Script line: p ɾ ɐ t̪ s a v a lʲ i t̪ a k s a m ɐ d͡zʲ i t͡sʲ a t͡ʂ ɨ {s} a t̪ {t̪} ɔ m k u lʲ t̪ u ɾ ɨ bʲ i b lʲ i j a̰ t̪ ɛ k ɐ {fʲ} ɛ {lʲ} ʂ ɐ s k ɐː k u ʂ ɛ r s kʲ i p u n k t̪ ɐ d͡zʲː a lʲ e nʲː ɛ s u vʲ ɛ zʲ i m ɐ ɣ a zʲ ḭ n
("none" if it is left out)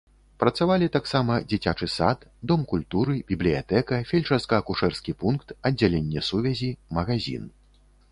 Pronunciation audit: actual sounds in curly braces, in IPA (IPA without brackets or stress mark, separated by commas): s, d̪, fʲ, lʲ